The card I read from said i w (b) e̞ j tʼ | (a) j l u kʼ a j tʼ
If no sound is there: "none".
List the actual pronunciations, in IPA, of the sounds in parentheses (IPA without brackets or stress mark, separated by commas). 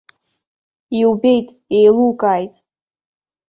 b, e